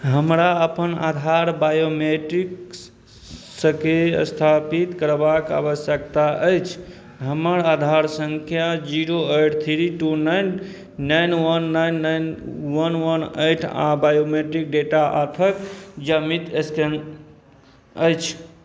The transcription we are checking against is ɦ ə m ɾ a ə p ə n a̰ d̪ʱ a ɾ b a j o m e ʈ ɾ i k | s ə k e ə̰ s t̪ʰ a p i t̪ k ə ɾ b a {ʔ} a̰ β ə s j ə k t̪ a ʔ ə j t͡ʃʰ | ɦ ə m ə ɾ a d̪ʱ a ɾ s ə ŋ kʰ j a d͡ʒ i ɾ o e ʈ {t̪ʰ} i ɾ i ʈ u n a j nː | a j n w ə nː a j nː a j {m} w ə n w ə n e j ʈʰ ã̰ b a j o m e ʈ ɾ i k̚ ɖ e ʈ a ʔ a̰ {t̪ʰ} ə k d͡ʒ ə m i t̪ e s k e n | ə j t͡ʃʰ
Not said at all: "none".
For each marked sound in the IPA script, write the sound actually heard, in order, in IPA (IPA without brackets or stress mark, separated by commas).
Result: k, t̪ʰ, n, t̪ʰ